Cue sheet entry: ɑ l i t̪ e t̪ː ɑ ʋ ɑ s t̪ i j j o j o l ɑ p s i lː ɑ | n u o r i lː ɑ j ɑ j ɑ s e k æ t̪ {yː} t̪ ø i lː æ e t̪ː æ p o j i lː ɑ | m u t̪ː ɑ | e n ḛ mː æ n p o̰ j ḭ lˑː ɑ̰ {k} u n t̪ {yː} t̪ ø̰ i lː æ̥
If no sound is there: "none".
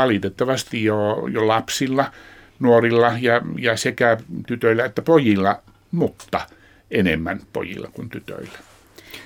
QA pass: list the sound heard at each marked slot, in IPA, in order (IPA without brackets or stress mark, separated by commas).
y, k, y